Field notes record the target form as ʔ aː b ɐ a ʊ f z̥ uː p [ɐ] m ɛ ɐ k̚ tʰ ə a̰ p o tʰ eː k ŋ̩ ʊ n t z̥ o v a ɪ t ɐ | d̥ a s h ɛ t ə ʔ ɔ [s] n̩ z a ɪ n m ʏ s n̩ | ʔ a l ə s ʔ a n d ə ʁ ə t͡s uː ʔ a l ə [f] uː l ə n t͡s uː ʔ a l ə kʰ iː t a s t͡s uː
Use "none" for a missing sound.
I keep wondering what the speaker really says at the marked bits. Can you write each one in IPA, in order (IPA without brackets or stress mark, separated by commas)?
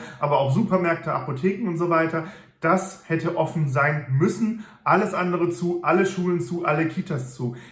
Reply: ɐ, f, ʃ